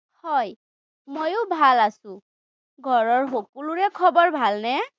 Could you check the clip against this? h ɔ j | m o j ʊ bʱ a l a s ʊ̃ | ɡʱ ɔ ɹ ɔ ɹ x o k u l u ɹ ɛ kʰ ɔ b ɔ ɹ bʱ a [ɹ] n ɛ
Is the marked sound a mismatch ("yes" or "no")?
yes